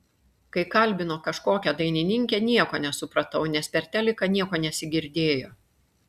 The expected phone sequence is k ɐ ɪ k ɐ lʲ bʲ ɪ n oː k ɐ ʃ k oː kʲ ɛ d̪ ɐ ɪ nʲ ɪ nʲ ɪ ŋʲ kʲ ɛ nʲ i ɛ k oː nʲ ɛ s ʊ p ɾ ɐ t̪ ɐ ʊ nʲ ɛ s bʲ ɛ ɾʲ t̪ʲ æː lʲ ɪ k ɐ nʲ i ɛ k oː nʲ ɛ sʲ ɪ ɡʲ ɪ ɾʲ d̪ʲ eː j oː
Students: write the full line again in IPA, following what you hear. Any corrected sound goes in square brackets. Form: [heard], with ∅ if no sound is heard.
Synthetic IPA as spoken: k ɐ ɪ k ɐ lʲ bʲ ɪ n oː k ɐ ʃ k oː kʲ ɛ d̪ ɐ ɪ nʲ ɪ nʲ ɪ ŋʲ kʲ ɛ nʲ i ɛ k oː nʲ ɛ s ʊ p ɾ ɐ t̪ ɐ ʊ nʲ ɛ s [pʲ] ɛ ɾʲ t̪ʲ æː lʲ ɪ k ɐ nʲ i ɛ k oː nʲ ɛ sʲ ɪ ɡʲ ɪ ɾʲ d̪ʲ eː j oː